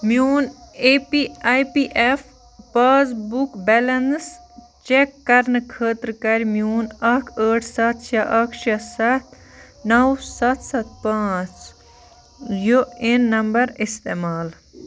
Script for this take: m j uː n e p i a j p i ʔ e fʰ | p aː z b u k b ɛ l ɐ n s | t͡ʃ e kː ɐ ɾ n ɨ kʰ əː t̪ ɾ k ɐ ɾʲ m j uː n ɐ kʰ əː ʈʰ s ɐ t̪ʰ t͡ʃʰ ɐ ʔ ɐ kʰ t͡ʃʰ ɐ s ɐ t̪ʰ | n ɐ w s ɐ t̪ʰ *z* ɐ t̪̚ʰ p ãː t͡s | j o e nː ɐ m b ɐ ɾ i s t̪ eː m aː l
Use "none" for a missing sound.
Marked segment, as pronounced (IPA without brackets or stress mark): s